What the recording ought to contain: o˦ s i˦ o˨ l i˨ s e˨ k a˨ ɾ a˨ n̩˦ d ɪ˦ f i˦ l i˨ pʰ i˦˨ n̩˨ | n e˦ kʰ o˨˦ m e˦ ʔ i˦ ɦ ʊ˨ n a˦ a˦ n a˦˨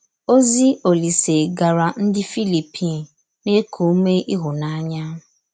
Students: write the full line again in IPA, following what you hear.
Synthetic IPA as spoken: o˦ z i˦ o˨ l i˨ s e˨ ɡ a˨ ɾ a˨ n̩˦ d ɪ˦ f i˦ l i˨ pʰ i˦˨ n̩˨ | n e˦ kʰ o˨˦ m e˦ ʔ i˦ ɦ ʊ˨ n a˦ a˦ ɲ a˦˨